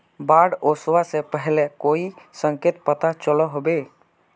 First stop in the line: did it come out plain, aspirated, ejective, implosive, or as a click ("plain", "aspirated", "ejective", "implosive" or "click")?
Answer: plain